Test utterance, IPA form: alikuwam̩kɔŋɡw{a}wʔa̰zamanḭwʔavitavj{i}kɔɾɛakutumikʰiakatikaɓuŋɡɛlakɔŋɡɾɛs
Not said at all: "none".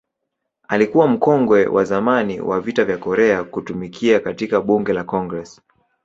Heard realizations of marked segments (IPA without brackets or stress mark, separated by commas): ɛ, a